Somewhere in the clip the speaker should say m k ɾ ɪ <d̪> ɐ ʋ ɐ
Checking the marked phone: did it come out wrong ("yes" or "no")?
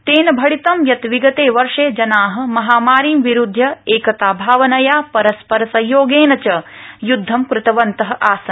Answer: yes